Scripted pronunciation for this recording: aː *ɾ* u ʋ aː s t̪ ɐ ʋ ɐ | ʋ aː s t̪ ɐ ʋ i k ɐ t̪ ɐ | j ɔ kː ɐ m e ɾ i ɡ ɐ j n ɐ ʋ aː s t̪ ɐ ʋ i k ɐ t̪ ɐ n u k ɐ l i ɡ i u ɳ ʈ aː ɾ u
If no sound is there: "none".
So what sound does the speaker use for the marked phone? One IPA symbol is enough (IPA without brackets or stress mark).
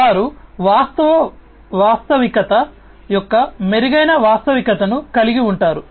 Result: ɾ